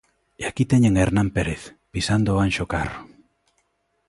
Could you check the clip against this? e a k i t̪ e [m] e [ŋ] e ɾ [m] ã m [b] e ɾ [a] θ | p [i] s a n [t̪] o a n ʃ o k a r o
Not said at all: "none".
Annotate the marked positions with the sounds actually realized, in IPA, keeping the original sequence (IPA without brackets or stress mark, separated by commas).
ɲ, ŋ, n, p, e, i, d̪